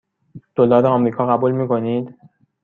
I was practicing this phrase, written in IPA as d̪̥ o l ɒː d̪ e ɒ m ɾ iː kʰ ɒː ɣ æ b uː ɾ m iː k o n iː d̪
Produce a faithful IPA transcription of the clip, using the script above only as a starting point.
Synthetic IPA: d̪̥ o l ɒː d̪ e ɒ m ɾ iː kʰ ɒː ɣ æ b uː l m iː k o n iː d̪